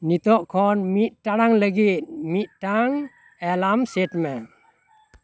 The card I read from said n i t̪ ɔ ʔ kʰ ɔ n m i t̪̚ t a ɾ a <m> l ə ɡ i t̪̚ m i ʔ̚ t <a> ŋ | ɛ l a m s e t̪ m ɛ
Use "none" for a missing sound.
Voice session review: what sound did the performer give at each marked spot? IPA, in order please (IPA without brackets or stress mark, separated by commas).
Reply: ŋ, a